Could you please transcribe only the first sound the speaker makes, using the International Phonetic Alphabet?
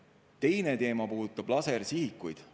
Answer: t̪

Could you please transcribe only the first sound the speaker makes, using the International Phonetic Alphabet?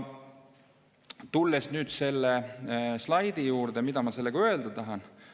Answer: t̪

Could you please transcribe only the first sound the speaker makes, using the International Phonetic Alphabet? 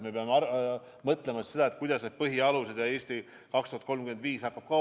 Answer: m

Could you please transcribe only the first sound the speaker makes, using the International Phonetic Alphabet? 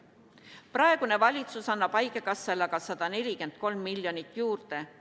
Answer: p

